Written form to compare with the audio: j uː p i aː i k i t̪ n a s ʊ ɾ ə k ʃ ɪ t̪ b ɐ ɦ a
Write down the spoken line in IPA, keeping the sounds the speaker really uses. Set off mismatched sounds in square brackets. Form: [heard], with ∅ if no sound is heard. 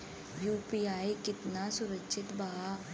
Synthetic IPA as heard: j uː p i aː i k [ɪ] t̪ n a s ʊ ɾ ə k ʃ ɪ t̪ b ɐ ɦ a